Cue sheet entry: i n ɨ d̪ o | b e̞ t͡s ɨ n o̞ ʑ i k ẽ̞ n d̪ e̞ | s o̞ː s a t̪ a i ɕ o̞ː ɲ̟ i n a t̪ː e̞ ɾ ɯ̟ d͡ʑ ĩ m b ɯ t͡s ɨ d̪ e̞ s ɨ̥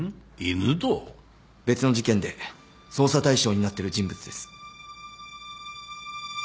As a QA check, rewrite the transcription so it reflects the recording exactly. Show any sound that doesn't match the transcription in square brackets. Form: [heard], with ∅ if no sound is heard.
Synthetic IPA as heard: i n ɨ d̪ o | b e̞ t͡s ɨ n o̞ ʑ i k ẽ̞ n d̪ e̞ | s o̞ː s a t̪ a i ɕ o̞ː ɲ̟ i n a t̪ː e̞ ɾ ɯ̟ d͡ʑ ĩ m b ɯ t͡s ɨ d̪ e̞ s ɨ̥